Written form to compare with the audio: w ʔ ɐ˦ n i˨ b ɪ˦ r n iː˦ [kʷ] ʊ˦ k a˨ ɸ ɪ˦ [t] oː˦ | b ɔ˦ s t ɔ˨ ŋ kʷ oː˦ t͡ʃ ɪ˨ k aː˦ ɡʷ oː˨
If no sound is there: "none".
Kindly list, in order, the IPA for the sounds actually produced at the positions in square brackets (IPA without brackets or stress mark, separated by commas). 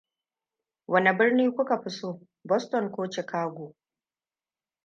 kʷ, s